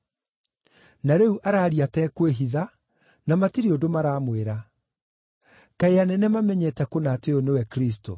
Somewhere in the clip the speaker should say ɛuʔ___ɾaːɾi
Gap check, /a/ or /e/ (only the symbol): a